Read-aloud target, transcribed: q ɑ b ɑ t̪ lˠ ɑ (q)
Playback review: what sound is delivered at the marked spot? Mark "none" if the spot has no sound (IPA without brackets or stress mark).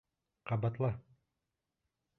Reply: none